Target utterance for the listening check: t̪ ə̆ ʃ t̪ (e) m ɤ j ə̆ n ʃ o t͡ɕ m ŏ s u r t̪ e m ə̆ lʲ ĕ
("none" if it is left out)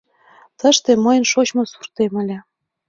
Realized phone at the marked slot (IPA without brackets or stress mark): e